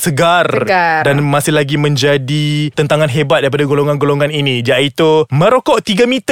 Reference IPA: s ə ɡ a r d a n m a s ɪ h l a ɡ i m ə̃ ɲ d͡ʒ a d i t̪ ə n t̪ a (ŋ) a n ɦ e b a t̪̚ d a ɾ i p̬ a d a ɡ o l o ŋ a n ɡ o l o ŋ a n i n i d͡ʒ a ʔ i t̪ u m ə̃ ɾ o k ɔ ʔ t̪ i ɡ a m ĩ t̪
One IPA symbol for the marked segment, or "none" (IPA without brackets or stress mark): ŋ